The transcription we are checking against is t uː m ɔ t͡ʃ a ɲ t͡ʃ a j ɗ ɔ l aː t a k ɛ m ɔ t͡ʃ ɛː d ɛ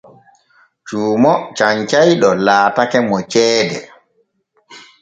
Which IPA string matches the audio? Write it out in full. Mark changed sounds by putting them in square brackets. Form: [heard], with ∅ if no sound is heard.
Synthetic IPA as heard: [t͡ʃ] uː m ɔ t͡ʃ a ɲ t͡ʃ a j ɗ ɔ l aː t a k ɛ m ɔ t͡ʃ ɛː d ɛ